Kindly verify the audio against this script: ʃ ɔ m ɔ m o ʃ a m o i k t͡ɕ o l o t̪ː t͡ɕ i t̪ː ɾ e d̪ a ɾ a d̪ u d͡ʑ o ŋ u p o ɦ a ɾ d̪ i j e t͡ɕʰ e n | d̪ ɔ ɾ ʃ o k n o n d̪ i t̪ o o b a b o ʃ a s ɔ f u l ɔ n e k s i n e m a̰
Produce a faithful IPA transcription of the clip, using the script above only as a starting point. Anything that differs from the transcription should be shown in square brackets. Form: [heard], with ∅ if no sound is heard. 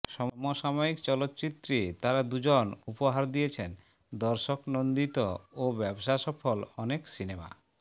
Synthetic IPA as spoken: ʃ ɔ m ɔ m o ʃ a m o i k t͡ɕ [ɔ] l o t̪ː t͡ɕ i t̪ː ɾ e [t̪] a ɾ a d̪ u d͡ʑ o [n] u p o ɦ a ɾ d̪ i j e t͡ɕʰ e n | d̪ ɔ ɾ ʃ o k n o n d̪ i t̪ o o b [ɛ] b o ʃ a [ʃ] ɔ f [o] l ɔ n e k s i n e m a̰